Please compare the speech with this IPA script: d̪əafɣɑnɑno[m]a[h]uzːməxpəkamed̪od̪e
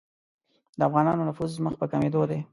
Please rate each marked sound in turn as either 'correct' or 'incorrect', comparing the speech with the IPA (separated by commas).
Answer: incorrect, incorrect